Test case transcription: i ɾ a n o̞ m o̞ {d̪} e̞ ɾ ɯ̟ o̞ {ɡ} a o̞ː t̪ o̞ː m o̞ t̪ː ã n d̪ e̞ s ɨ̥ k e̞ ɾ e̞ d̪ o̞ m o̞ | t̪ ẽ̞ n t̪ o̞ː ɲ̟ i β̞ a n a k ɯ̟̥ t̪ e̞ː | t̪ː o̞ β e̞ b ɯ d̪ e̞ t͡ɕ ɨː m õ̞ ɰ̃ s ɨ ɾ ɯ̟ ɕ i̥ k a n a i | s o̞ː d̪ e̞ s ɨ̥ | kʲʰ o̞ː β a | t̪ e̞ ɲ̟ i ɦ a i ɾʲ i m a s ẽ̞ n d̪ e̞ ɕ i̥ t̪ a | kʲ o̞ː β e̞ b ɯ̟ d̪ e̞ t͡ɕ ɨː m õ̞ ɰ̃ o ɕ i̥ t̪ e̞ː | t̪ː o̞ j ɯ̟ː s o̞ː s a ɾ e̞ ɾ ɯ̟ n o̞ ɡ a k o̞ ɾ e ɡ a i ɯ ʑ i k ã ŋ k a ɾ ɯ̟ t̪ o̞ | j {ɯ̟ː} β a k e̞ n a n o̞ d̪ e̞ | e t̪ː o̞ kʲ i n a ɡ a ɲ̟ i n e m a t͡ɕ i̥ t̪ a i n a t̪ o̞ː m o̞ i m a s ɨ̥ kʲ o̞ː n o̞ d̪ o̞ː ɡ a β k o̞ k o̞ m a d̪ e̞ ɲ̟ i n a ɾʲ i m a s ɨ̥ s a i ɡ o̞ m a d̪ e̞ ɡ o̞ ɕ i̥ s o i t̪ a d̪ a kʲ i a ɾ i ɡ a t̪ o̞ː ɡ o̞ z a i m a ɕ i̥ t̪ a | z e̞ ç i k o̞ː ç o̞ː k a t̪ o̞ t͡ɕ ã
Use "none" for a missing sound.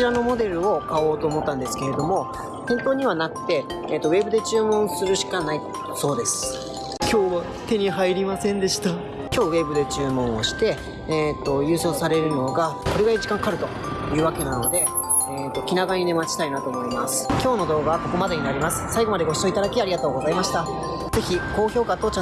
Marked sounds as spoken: d̪, k, ɯ̟ː

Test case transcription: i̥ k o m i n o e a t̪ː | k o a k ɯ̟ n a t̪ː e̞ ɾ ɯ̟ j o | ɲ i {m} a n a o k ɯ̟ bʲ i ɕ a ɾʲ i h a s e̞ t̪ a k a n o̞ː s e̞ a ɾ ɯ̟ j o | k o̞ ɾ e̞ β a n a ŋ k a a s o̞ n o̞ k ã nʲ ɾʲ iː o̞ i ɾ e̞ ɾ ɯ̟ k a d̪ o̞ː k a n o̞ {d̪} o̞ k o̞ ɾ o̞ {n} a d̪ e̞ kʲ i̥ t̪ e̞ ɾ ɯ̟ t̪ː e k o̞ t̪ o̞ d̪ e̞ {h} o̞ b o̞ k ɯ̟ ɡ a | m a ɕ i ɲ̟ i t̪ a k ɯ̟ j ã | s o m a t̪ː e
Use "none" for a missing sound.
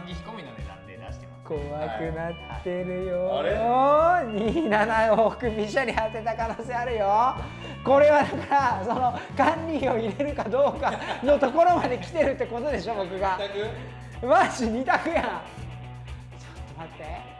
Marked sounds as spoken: n, t̪, m, ɕ

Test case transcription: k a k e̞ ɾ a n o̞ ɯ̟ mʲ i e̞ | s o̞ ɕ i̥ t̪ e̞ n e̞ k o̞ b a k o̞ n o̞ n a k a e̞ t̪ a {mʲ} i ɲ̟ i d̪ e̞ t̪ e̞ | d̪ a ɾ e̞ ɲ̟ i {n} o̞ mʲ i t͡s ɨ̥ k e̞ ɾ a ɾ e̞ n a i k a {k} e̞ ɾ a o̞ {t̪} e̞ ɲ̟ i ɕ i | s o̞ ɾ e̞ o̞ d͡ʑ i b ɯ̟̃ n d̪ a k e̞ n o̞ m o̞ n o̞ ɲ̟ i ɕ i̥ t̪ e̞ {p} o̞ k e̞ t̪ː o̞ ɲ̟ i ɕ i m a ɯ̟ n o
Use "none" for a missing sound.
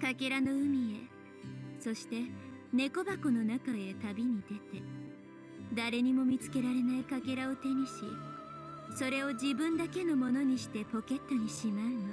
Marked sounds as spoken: bʲ, m, k, t̪, p

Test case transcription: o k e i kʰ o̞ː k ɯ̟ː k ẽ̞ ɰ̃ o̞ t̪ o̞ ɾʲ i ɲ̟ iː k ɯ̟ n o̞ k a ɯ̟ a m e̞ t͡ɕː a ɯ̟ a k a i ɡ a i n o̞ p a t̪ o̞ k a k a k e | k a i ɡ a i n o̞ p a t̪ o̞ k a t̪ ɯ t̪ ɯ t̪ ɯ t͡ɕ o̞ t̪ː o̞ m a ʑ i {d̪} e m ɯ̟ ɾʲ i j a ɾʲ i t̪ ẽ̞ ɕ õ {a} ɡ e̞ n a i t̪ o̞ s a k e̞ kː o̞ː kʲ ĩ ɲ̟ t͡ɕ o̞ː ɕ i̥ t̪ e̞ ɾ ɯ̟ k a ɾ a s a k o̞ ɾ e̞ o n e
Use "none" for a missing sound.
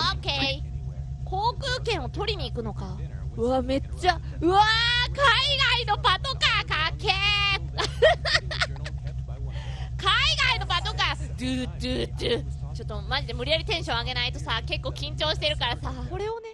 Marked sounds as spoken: d̪, a

